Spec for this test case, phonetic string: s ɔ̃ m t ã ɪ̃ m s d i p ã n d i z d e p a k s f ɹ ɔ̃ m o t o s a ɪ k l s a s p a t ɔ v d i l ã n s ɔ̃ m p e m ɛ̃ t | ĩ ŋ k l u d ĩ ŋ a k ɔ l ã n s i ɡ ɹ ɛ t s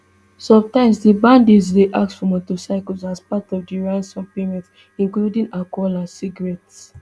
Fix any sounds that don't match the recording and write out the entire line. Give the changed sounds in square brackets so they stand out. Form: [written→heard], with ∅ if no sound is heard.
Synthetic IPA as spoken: s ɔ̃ m t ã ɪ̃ m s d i [p→b] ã n d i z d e [p→ʔ] a k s f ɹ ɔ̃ m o t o s a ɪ k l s a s p a t ɔ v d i [l→ɹ] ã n s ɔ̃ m p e m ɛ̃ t | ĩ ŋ k l u d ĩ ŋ a k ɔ l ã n s i ɡ ɹ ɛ t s